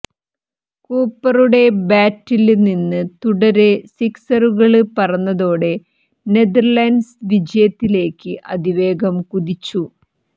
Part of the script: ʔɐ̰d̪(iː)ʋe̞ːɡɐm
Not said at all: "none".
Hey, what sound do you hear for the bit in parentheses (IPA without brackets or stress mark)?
i